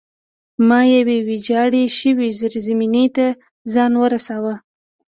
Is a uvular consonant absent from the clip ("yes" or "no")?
yes